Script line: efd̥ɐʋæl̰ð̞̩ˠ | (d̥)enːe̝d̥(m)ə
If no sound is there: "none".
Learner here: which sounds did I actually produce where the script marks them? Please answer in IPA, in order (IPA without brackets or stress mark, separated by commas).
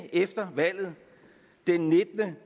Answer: d̥, n